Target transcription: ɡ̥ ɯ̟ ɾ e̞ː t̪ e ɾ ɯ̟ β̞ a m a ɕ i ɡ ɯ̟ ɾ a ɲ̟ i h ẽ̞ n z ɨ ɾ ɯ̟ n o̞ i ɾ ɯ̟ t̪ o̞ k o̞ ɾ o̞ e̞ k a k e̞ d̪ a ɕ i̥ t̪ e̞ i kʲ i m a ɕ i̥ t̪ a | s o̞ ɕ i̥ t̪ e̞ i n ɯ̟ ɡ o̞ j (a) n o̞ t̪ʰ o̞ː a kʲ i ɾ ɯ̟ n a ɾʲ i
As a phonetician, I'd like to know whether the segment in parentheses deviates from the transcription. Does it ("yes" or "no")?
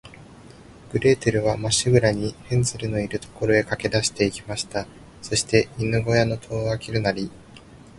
no